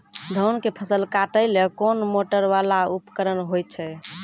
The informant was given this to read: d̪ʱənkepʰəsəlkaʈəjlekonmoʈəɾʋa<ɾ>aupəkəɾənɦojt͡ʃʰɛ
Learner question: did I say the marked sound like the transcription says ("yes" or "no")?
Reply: no